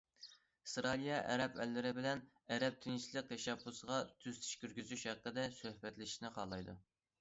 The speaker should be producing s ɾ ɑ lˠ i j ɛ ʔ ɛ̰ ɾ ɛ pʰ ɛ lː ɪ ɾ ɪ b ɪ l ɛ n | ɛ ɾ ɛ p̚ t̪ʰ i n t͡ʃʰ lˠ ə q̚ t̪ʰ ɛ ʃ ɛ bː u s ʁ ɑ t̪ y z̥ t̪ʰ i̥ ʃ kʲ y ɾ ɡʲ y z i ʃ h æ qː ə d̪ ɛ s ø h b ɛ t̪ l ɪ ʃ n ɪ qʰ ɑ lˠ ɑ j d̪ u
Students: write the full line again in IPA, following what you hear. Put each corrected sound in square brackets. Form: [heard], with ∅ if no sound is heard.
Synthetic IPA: s ɾ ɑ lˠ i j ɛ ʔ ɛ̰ ɾ ɛ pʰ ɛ lː ɪ ɾ ɪ b ɪ l ɛ n | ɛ ɾ ɛ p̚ t̪ʰ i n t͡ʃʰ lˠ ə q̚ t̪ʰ ɛ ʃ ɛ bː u s ʁ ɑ [t̪ʰ] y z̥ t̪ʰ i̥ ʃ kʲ y ɾ ɡʲ y z [y] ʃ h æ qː ə d̪ ɛ s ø h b ɛ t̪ l ɪ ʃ n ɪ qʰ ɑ lˠ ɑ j d̪ u